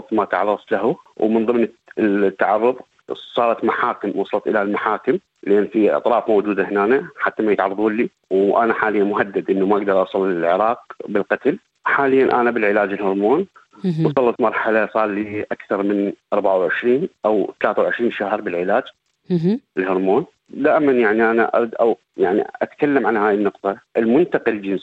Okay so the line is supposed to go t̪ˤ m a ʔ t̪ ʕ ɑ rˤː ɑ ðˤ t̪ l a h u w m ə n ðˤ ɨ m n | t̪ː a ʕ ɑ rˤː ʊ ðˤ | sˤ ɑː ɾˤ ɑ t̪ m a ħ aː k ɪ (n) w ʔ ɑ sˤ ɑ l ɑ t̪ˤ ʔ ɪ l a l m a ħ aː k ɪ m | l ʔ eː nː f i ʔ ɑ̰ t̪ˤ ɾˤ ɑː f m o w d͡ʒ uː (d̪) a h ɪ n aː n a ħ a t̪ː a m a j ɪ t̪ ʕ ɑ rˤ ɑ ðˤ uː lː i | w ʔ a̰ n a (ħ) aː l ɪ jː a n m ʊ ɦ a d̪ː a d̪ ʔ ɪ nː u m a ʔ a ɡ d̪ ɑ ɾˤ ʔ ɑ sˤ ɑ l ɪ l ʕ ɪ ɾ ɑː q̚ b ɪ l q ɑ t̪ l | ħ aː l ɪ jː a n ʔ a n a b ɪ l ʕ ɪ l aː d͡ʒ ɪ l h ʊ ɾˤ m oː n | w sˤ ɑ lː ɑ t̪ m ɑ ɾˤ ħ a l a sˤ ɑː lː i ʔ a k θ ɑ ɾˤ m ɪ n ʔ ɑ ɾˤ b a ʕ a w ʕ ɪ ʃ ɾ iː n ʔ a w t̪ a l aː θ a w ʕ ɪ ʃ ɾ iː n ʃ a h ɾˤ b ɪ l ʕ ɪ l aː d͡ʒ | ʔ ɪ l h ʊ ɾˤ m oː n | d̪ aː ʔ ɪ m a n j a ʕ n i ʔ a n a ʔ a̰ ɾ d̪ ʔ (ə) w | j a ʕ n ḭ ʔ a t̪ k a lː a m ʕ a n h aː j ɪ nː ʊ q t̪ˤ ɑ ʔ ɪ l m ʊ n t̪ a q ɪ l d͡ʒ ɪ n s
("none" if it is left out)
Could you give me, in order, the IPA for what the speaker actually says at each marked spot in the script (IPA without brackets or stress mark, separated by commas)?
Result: m, d̪, ħ, a